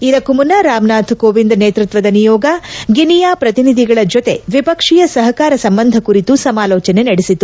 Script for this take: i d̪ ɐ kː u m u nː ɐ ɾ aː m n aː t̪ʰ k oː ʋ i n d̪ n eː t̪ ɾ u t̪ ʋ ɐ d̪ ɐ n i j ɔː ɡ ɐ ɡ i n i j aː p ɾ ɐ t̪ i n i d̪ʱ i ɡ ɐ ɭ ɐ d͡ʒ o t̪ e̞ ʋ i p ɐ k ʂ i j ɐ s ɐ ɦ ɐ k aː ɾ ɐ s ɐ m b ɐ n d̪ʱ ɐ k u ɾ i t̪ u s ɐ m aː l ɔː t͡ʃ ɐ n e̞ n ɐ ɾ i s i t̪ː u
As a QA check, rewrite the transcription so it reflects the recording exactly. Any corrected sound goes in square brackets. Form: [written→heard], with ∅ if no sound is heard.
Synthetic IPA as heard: i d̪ ɐ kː u m u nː ɐ ɾ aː m n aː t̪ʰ k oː ʋ i n d̪ n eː t̪ ɾ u t̪ ʋ ɐ d̪ ɐ n i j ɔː ɡ ɐ ɡ i n i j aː p ɾ ɐ t̪ i n i d̪ʱ i ɡ ɐ ɭ ɐ d͡ʒ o t̪ e̞ ʋ i p ɐ k ʂ i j ɐ s ɐ ɦ ɐ k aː ɾ ɐ s ɐ m b ɐ n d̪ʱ ɐ k u ɾ i t̪ u s ɐ m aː l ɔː t͡ʃ ɐ n e̞ n ɐ [ɾ→ɽ] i s i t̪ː u

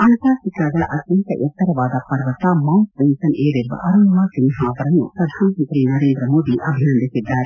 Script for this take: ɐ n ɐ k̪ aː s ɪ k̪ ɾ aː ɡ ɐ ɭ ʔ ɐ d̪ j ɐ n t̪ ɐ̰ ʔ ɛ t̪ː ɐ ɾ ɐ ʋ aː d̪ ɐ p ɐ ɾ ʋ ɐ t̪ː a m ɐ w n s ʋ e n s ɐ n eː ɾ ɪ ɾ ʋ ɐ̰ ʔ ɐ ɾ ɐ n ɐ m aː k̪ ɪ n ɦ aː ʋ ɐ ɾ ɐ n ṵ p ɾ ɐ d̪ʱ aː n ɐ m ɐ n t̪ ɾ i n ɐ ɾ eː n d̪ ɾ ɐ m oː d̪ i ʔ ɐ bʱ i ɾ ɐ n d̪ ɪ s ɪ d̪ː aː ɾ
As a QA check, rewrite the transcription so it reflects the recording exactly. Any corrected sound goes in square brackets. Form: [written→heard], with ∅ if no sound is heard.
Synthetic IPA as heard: ɐ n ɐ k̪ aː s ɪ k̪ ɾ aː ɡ ɐ ɭ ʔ ɐ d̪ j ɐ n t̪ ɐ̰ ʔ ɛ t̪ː ɐ ɾ ɐ ʋ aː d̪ ɐ p ɐ ɾ ʋ ɐ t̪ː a m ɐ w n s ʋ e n s ɐ n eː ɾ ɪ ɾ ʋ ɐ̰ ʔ ɐ ɾ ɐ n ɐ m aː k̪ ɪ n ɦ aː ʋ ɐ ɾ ɐ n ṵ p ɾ ɐ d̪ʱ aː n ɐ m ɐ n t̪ ɾ i n ɐ ɾ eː n d̪ ɾ ɐ m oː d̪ i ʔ ɐ bʱ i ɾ ɐ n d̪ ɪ s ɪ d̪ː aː ɾ

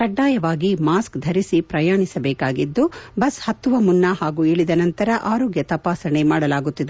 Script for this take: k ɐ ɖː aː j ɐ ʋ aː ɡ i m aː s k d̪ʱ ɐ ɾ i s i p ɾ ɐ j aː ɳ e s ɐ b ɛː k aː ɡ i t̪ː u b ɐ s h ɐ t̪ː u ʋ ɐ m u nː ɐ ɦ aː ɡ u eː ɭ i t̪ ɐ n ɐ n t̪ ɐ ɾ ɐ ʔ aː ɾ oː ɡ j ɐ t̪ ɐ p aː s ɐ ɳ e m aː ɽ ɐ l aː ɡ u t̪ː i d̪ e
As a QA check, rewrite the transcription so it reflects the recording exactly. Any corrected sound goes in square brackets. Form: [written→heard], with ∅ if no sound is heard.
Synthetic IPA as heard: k ɐ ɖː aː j ɐ ʋ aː ɡ i m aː s k d̪ʱ ɐ ɾ i s i p ɾ ɐ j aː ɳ [e→i] s ɐ b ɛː k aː ɡ i [t̪ː→d̪ː] u b ɐ s h ɐ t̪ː u ʋ ɐ m u nː ɐ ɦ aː ɡ u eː ɭ i [t̪→d̪] ɐ n ɐ n t̪ ɐ ɾ ɐ ʔ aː ɾ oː ɡ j ɐ t̪ ɐ p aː s ɐ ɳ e m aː ɽ ɐ l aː ɡ u t̪ː i d̪ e

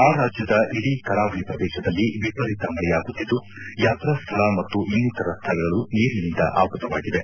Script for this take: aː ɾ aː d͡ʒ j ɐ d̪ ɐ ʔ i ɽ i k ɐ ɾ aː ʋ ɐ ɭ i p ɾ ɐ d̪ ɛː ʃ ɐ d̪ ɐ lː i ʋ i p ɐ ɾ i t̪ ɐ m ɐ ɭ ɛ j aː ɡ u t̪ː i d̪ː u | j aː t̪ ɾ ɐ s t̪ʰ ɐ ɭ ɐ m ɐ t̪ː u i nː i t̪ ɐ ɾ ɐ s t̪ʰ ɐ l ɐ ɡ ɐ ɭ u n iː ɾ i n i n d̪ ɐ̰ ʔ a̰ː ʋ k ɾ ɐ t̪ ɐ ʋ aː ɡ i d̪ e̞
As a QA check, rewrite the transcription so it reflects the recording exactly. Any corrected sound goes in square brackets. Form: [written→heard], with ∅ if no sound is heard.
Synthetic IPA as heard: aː ɾ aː d͡ʒ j ɐ d̪ ɐ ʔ i ɽ i k ɐ ɾ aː ʋ ɐ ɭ i p ɾ ɐ d̪ ɛː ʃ ɐ d̪ ɐ lː i ʋ i p ɐ ɾ i t̪ ɐ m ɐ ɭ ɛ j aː ɡ u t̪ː i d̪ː u | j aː t̪ ɾ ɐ s t̪ʰ ɐ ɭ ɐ m ɐ t̪ː u i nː i t̪ ɐ ɾ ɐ s t̪ʰ ɐ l ɐ ɡ ɐ ɭ u n iː ɾ i n i n d̪ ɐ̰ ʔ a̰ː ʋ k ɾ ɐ t̪ ɐ ʋ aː ɡ i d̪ e̞

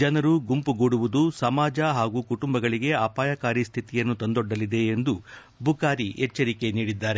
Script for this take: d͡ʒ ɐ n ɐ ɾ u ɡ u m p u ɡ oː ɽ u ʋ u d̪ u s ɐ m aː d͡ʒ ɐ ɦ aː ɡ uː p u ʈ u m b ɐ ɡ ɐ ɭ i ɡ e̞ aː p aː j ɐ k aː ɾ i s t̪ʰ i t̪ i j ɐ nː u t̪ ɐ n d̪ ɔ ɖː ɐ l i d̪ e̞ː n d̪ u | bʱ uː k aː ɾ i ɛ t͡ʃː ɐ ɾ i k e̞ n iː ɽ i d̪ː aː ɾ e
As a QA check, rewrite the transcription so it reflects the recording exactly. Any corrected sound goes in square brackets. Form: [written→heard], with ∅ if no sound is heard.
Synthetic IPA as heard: d͡ʒ ɐ n ɐ ɾ u ɡ u m p u ɡ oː ɽ u ʋ u d̪ u s ɐ m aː d͡ʒ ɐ ɦ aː ɡ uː [p→k] u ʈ u m b ɐ ɡ ɐ ɭ i ɡ e̞ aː p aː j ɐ k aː ɾ i s t̪ʰ i t̪ i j ɐ nː u t̪ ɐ n d̪ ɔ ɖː ɐ l i d̪ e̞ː n d̪ u | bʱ [uː→u] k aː ɾ i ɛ t͡ʃː ɐ ɾ i k e̞ n iː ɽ i d̪ː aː ɾ e

